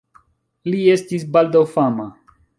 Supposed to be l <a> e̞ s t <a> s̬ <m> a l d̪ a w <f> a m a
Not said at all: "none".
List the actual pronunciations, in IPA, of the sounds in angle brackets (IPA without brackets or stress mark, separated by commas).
i, i, b, f